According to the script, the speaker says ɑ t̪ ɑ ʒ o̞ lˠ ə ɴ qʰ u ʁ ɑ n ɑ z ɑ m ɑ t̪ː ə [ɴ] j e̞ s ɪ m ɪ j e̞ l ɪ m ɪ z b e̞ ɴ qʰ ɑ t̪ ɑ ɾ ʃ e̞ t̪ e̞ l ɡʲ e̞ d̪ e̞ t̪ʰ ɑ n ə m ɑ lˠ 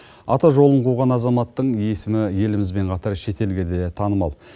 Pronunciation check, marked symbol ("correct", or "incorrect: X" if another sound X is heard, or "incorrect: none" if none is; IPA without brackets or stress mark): correct